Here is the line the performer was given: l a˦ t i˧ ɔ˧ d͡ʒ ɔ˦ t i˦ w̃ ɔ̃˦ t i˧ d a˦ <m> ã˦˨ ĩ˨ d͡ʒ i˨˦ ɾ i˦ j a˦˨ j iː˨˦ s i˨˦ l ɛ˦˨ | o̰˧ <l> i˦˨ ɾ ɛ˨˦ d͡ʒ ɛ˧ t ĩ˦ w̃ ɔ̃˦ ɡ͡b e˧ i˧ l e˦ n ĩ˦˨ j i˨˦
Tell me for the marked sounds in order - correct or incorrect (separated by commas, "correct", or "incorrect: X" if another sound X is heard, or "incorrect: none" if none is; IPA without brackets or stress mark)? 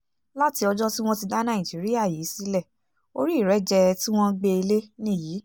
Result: incorrect: n, incorrect: ɾ